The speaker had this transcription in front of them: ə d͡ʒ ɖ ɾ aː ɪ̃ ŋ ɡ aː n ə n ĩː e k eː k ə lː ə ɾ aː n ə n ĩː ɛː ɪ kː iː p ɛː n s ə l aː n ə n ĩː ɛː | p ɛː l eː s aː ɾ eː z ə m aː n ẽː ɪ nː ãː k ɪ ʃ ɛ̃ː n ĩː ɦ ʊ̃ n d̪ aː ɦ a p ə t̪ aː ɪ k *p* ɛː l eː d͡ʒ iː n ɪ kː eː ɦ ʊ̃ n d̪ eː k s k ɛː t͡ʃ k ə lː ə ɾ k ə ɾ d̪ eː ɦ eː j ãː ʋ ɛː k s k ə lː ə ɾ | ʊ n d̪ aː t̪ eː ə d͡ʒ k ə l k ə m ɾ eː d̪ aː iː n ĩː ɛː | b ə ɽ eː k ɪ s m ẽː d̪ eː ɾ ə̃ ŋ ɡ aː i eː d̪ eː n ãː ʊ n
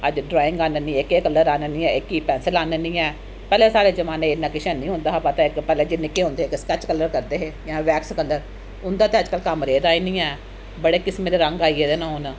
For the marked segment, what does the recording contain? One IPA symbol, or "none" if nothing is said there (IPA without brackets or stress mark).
p